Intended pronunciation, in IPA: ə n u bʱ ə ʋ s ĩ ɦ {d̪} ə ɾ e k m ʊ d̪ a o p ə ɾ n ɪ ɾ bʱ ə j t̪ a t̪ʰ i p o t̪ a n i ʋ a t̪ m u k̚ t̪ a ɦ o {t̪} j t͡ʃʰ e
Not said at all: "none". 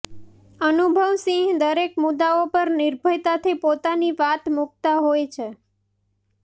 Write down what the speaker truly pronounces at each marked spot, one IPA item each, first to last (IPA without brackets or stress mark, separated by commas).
d̪, none